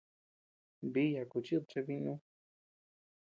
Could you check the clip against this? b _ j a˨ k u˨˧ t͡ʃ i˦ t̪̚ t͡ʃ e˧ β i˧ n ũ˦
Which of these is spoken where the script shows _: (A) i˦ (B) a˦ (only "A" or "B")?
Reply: A